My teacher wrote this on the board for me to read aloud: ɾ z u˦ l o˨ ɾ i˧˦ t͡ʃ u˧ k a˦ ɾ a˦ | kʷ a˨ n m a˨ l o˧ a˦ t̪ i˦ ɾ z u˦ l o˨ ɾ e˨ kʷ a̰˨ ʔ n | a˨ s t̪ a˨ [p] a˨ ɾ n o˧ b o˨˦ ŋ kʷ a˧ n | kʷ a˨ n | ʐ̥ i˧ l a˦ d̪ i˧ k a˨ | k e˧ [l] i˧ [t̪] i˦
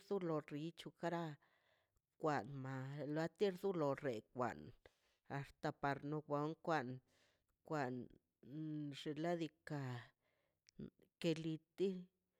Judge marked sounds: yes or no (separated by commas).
yes, yes, yes